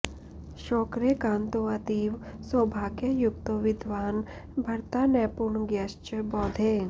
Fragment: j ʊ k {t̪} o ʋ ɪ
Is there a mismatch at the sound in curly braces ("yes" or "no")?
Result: no